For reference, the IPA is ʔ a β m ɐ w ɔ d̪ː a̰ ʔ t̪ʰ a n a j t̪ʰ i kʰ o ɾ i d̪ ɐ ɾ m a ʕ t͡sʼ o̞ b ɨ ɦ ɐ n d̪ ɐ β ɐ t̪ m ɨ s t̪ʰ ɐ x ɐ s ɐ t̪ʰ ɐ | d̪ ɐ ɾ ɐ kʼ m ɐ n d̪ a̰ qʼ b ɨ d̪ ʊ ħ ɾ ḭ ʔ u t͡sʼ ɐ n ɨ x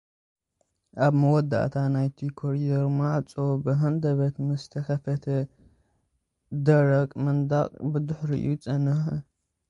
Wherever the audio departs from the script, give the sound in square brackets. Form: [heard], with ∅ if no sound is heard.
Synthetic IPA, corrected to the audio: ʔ a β m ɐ w ɔ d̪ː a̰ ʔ t̪ʰ a n a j t̪ʰ i kʰ o ɾ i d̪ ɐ ɾ m a ʕ t͡sʼ o̞ b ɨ ɦ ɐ n d̪ ɐ β ɐ t̪ m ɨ s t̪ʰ ɐ x ɐ [f] ɐ t̪ʰ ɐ | d̪ ɐ ɾ ɐ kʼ m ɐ n d̪ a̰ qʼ b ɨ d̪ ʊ ħ ɾ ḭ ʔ u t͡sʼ ɐ n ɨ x